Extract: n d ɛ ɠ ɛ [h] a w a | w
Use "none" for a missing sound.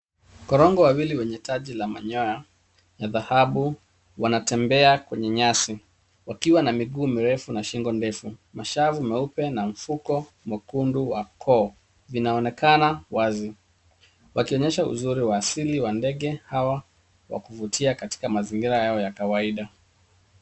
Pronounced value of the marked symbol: h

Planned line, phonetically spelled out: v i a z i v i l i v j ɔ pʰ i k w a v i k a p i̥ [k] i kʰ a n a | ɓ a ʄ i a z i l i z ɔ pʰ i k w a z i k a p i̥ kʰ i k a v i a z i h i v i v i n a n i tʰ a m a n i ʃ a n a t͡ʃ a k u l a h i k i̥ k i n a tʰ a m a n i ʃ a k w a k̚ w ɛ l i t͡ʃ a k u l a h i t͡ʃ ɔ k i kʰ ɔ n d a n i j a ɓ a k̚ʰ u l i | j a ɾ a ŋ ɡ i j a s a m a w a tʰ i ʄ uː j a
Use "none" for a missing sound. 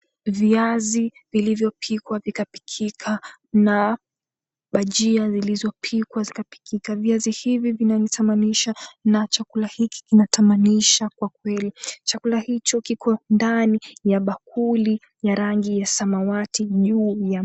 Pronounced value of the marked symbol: kʰ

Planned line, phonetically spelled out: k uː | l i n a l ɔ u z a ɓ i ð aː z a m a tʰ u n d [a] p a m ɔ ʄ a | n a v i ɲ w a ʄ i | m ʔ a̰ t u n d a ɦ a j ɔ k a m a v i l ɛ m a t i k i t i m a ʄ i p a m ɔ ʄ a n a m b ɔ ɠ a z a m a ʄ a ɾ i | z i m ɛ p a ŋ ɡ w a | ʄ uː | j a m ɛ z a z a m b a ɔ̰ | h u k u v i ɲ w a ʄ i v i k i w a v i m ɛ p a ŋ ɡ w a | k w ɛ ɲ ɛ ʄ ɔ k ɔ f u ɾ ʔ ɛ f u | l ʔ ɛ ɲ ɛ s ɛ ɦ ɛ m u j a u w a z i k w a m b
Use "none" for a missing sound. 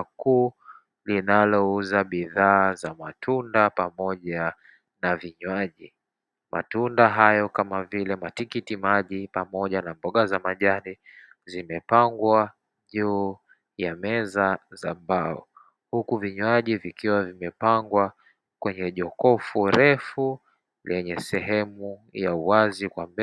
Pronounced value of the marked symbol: a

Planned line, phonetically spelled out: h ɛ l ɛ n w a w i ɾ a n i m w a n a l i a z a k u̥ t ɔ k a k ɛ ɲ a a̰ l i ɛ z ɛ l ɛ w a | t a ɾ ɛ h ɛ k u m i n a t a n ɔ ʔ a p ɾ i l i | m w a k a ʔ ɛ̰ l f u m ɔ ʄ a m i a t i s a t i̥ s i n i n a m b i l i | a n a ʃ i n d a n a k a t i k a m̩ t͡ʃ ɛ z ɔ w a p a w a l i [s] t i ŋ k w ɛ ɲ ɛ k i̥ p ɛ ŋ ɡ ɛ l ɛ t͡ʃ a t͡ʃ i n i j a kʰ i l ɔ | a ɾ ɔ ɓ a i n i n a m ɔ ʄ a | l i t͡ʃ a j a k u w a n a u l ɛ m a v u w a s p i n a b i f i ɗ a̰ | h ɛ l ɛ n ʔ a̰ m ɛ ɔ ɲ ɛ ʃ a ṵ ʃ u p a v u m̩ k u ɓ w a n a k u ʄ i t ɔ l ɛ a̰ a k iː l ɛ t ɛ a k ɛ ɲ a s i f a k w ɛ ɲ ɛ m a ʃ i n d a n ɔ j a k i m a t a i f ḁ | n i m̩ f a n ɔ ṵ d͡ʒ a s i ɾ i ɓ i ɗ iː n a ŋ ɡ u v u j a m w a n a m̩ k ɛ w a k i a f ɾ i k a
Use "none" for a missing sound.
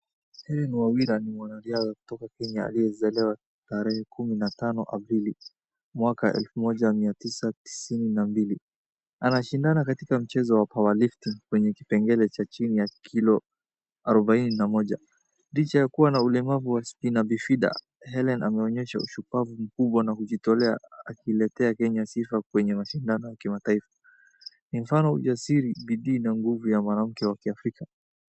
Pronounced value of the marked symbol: f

